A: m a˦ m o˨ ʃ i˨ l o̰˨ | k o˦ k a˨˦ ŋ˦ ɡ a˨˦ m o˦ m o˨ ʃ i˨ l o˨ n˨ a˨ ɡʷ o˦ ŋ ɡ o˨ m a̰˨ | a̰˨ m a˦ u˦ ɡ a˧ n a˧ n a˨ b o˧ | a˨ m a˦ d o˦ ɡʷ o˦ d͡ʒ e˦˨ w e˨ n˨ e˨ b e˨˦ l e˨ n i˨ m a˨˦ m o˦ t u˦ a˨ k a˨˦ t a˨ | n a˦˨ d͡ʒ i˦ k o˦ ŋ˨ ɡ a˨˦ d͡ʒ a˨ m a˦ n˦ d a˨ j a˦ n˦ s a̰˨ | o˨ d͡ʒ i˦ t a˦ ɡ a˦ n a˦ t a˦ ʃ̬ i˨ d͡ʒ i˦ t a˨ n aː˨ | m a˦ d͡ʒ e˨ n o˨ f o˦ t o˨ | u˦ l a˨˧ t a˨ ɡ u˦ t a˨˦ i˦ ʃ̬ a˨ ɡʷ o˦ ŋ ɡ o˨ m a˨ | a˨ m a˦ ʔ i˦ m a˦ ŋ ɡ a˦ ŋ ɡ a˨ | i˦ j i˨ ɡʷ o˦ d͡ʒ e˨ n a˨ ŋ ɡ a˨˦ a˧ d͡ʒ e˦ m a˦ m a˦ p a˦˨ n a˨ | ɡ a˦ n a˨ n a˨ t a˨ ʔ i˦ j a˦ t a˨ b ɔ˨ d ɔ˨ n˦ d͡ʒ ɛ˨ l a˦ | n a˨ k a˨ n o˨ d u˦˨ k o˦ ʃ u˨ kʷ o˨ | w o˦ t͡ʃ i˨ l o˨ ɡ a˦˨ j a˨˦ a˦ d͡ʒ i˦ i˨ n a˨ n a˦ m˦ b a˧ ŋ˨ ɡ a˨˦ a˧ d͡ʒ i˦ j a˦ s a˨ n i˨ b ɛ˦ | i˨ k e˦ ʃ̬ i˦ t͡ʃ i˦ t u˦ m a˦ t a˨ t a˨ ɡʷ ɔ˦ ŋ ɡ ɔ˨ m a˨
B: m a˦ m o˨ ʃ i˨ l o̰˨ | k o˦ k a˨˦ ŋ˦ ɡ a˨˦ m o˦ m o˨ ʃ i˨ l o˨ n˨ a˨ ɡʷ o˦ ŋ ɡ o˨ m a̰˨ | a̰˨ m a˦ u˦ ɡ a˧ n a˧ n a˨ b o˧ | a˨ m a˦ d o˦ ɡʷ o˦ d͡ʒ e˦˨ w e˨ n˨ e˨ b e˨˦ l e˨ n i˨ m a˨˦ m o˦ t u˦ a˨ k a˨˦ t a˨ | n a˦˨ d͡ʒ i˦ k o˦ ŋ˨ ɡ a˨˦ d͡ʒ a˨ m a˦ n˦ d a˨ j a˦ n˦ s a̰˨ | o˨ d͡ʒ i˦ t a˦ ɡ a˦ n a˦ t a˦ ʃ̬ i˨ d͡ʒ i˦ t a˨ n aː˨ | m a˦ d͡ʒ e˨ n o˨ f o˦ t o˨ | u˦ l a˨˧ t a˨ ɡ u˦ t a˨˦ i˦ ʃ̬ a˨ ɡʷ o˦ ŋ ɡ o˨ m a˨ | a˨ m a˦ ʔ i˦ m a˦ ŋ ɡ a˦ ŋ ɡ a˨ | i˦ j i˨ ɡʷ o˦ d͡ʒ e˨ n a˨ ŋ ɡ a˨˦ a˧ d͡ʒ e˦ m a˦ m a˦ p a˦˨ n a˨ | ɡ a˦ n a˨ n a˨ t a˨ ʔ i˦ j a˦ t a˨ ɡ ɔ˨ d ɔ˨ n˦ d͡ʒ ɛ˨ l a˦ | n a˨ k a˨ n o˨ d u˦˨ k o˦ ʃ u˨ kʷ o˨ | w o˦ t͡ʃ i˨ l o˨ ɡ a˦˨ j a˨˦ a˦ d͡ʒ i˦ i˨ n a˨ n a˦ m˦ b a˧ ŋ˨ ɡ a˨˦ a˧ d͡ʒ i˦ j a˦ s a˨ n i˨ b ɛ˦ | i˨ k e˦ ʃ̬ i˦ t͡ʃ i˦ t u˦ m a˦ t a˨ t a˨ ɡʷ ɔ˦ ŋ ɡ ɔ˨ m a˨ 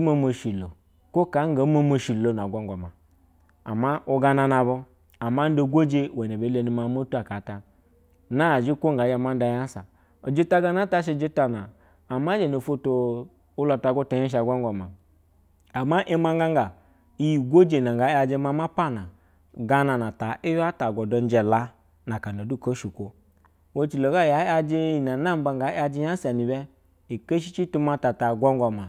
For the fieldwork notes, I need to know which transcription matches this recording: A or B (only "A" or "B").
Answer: B